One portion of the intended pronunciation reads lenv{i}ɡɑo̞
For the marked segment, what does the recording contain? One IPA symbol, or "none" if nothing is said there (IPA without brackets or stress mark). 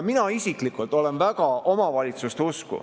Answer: æ